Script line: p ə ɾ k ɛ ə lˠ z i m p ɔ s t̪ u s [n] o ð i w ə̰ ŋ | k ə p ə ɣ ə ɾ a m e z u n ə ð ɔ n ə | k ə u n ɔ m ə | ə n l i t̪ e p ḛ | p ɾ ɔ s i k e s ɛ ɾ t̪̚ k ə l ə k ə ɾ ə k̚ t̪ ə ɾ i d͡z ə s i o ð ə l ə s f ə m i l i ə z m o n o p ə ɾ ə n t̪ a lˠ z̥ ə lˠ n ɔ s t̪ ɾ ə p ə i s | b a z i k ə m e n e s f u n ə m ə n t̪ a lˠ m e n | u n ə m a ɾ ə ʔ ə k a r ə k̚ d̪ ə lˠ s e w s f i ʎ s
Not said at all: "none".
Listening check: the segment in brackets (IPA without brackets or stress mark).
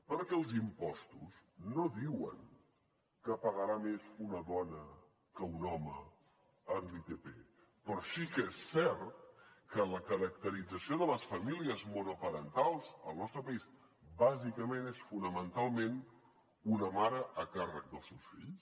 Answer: n